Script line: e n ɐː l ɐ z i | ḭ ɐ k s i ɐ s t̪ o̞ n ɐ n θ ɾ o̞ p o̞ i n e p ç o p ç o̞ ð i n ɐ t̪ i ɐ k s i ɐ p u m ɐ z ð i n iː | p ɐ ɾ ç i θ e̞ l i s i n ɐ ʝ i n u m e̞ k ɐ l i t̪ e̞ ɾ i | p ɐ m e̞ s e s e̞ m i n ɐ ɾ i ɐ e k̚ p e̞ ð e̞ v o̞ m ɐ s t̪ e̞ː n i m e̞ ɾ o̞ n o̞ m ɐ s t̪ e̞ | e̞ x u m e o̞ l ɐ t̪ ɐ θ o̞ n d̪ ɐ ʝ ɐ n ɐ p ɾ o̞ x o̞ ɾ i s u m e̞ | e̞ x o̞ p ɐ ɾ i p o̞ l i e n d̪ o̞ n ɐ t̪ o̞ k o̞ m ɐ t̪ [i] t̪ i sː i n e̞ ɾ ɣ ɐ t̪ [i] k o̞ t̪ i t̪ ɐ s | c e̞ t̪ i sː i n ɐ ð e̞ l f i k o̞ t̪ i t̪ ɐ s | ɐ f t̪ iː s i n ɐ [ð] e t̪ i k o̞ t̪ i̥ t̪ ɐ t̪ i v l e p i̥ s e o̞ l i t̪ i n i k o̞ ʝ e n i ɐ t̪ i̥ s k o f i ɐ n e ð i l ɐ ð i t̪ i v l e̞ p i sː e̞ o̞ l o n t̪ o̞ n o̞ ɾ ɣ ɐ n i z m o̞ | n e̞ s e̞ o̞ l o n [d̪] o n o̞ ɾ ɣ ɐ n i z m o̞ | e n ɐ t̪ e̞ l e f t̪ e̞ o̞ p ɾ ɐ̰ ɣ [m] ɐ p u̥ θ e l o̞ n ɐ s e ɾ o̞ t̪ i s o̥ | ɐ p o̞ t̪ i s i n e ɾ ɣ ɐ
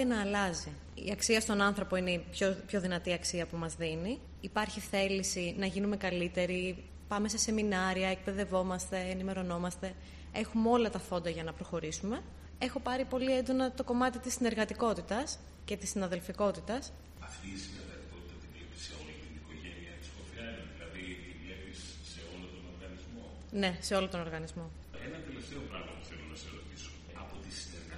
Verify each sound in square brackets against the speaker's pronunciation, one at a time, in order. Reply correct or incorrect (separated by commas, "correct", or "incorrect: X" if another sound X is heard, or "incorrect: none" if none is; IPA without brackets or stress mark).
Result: correct, correct, correct, incorrect: t̪, correct